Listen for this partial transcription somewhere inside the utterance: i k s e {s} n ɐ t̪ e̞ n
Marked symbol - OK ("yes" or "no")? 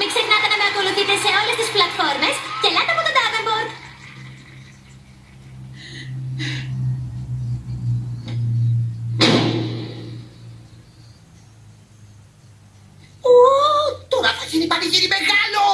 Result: no